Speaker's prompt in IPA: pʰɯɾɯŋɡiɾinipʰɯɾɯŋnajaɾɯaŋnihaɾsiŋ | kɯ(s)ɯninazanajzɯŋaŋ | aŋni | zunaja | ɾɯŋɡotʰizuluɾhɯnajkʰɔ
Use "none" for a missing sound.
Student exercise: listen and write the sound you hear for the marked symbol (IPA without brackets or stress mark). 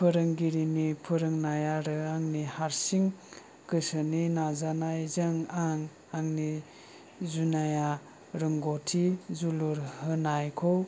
s